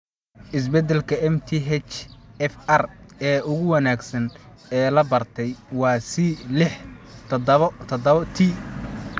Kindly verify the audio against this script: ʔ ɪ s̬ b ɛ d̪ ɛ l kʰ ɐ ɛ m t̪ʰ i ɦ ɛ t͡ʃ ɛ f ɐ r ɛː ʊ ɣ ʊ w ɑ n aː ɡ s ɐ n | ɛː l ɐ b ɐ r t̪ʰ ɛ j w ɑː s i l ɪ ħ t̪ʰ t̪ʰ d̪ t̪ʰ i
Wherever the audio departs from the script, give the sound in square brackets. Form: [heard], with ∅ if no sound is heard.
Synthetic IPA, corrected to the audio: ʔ ɪ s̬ b ɛ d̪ ɛ l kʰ ɐ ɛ m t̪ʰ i ɦ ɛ t͡ʃ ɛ f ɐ r ɛː ʊ ɣ ʊ w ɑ n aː ɡ s ɐ n | ɛː l ɐ b ɐ r t̪ʰ ɛ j w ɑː s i l ɪ ħ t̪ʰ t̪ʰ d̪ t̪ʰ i